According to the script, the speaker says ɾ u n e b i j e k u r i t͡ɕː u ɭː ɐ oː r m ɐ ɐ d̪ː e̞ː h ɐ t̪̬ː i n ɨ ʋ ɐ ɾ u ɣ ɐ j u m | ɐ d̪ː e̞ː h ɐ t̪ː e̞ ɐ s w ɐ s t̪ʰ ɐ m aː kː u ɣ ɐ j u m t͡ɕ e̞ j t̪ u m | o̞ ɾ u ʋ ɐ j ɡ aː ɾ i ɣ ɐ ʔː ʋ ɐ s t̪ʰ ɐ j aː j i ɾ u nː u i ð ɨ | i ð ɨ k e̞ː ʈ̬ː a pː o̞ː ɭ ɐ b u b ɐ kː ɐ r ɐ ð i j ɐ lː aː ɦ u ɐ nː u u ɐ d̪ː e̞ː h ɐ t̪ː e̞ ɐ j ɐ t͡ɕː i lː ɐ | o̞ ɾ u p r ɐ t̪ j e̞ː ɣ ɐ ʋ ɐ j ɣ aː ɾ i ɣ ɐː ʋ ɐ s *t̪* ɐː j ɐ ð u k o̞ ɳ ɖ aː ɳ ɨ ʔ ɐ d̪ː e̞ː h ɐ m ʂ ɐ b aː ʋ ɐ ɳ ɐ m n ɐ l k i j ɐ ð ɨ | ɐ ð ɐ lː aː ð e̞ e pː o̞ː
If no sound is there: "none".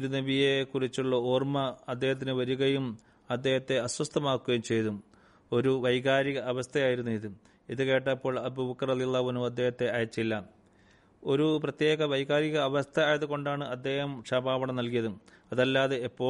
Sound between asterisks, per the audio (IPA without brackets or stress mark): t̪ʰ